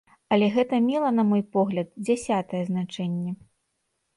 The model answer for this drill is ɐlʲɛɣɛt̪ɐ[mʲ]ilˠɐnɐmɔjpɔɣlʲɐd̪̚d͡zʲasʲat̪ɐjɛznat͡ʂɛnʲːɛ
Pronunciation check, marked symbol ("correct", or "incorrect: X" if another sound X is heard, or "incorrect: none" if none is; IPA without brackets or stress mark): correct